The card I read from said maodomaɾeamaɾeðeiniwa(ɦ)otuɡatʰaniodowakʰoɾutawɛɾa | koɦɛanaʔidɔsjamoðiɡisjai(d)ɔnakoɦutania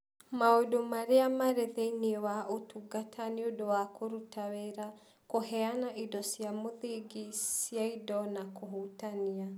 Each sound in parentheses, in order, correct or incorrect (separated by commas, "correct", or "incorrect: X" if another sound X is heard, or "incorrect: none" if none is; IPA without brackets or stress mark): incorrect: none, correct